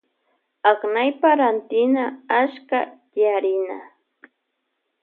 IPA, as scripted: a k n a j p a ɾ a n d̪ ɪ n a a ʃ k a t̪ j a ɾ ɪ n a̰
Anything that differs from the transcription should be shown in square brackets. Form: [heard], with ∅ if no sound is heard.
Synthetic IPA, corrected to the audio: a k n a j p a ɾ a n [t̪] ɪ n a a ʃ k a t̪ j a ɾ ɪ n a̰